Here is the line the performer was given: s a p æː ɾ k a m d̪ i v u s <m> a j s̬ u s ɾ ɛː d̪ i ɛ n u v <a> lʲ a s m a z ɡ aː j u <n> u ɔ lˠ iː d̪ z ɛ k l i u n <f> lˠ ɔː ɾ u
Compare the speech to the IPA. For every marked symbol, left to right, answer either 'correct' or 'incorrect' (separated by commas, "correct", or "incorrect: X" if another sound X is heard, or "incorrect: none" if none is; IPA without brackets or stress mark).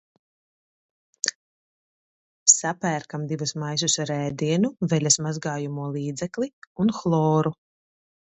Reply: correct, incorrect: ɛ, incorrect: m, incorrect: x